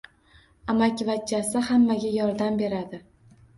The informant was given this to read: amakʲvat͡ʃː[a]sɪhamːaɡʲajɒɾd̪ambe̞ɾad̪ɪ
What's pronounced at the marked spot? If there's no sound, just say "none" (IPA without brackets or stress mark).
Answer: a